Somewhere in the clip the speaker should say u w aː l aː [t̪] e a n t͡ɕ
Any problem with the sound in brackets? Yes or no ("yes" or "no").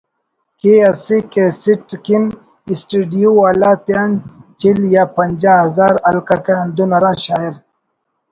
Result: no